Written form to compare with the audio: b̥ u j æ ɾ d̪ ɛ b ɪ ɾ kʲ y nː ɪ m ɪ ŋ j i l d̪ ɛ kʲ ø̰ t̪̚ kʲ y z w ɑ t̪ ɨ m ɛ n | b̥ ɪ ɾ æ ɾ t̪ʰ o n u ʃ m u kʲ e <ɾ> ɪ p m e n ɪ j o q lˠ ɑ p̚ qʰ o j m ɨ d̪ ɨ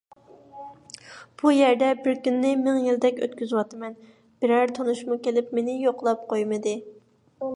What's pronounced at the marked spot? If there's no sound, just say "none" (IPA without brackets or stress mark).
l